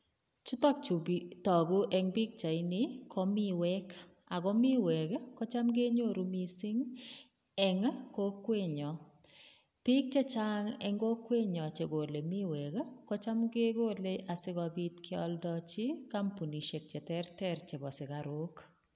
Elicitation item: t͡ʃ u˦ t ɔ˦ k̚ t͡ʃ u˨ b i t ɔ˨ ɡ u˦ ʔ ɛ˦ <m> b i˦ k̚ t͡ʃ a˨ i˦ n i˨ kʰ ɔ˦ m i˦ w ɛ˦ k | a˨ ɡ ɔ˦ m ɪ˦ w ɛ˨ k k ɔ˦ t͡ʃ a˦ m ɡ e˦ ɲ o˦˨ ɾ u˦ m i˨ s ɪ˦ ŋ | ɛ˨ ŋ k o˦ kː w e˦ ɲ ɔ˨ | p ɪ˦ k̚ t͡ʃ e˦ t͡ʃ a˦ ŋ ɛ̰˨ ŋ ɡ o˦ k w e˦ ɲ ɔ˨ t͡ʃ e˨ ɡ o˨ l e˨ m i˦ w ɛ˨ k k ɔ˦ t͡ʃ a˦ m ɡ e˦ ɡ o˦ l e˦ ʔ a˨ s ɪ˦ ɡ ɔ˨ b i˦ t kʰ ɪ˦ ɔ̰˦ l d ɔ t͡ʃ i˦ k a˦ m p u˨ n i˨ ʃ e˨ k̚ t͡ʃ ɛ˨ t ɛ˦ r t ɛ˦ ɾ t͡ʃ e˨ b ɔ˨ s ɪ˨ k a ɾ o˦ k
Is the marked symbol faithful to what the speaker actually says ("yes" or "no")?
no